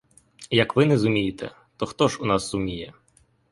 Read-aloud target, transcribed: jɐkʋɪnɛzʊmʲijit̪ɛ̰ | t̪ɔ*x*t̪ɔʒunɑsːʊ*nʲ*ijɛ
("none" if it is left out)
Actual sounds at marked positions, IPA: x, mʲ

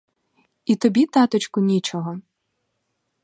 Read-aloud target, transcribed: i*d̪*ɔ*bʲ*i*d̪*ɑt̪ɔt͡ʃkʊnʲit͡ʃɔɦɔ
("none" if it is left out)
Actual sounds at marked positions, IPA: t̪, bʲ, t̪

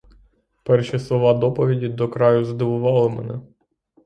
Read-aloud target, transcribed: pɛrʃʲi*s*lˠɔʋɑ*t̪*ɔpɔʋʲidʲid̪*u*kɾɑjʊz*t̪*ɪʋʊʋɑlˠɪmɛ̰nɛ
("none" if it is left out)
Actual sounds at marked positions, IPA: s, d̪, ɔ, d̪

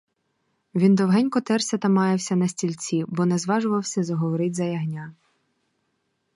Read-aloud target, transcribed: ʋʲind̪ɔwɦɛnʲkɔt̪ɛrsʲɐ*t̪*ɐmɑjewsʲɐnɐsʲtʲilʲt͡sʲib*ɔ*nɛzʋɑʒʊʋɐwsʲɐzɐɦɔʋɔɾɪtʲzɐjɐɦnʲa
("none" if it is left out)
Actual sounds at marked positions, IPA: t̪, ɔ

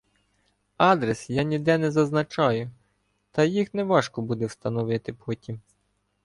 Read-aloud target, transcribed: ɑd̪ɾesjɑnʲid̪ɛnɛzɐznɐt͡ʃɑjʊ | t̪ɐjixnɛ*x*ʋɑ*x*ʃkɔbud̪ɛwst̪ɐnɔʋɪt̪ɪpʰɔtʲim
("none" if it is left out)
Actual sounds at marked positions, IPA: none, none

